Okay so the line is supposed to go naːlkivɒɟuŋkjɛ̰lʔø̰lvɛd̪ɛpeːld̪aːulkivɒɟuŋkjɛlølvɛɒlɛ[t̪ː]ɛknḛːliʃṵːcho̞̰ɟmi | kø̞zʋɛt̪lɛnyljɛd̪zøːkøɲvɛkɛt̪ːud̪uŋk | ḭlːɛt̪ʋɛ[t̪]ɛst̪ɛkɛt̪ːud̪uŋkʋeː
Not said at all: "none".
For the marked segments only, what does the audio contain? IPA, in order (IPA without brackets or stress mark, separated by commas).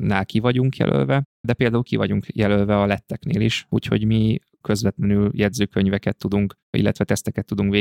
t̪ː, t̪